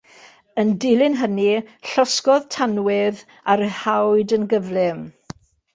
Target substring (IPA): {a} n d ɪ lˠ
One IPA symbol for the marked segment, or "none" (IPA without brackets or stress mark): ə